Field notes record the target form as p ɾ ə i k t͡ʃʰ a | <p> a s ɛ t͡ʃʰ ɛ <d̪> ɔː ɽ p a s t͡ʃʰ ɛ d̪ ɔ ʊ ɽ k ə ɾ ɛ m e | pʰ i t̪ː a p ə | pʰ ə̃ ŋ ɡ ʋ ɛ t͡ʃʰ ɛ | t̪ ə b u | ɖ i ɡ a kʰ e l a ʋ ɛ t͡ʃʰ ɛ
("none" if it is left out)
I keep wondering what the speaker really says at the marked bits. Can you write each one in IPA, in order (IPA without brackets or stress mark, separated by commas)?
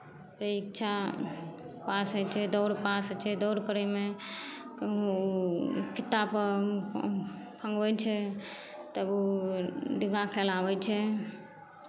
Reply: p, d̪